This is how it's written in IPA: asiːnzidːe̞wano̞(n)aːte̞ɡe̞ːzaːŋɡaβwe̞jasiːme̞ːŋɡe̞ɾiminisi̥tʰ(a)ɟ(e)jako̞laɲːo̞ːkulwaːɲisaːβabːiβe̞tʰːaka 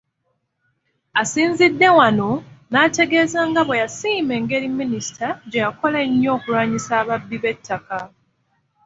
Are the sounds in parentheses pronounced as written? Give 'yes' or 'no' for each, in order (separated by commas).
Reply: yes, yes, yes